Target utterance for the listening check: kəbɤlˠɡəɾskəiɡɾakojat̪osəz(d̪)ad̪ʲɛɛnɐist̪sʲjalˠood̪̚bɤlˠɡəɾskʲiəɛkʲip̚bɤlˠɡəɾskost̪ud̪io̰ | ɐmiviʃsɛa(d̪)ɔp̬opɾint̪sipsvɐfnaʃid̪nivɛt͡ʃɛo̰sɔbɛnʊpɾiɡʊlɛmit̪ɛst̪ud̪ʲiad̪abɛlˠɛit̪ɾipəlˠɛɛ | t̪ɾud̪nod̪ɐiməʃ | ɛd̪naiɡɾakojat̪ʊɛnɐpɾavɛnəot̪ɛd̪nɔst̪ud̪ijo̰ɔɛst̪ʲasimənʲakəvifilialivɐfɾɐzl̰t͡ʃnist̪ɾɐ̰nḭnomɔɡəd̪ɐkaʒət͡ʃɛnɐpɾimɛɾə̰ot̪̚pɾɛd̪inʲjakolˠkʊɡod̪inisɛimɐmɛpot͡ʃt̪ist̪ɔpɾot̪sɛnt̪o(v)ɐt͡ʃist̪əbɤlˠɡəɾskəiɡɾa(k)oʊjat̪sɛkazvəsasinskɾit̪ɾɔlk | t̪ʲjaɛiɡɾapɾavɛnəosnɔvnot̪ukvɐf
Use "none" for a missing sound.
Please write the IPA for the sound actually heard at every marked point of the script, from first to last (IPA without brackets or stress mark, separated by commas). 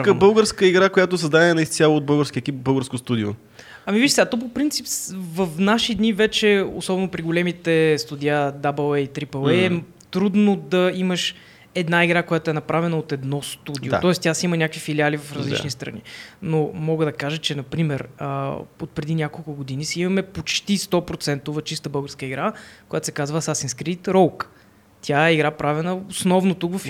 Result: d̪, t̪, v, k